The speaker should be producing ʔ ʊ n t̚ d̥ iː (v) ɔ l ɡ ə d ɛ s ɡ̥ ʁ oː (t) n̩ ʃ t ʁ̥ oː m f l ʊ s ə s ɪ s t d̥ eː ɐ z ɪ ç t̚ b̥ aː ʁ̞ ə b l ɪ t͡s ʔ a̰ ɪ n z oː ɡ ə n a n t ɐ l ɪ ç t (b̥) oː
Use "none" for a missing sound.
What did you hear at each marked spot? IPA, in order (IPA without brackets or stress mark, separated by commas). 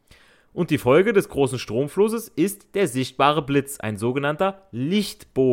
f, s, b̥